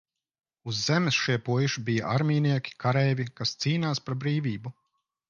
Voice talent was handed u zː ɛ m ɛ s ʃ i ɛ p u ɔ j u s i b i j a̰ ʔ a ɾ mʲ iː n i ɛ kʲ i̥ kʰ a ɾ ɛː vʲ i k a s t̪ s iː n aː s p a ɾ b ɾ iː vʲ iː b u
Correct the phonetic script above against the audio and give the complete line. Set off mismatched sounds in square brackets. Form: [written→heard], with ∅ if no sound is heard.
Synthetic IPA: u zː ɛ m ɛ s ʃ i ɛ p u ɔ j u [s→ʃ] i b i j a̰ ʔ a ɾ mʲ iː n i ɛ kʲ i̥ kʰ a ɾ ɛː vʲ i k a s t̪ s iː n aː s p a ɾ b ɾ iː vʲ iː b u